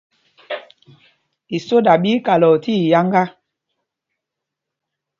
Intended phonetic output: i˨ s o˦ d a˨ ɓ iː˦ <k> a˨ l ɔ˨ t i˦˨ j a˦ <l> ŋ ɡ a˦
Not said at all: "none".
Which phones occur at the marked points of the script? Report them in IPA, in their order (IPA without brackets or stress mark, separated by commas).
k, none